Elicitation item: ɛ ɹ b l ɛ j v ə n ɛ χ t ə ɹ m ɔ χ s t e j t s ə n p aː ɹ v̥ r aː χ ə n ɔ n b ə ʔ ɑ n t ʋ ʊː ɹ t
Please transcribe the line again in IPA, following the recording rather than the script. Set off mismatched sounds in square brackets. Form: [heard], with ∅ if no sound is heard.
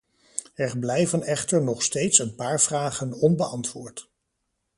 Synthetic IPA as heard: ɛ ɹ b l ɛ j v ə n ɛ χ t ə ɹ [n] ɔ χ s t e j t s ə n p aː ɹ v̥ r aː χ ə n ɔ n b ə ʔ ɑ n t ʋ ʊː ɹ t